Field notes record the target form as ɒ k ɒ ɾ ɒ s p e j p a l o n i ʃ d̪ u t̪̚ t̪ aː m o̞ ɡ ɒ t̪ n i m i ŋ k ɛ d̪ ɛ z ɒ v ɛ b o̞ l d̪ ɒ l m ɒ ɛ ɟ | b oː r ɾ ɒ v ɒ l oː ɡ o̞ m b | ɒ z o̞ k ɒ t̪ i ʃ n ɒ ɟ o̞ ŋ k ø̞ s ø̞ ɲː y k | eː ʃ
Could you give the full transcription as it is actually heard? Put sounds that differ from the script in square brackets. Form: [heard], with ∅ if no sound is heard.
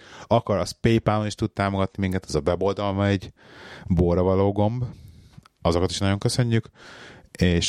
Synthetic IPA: ɒ k ɒ ɾ ɒ s p e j p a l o n i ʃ [t̪] u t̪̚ t̪ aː m o̞ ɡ ɒ t̪ n i m i ŋ k ɛ [t̪] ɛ z ɒ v ɛ b o̞ l d̪ ɒ l m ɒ ɛ ɟ | b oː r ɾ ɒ v ɒ l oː ɡ o̞ m b | ɒ z o̞ k ɒ t̪ i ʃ n ɒ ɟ o̞ ŋ k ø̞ s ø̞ ɲː y k | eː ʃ